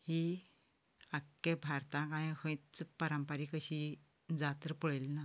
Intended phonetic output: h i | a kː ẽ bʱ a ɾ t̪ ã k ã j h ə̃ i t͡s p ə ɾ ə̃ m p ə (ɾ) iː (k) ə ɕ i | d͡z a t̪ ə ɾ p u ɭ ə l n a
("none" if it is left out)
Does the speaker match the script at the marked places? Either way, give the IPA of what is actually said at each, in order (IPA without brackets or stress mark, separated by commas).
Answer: ɾ, k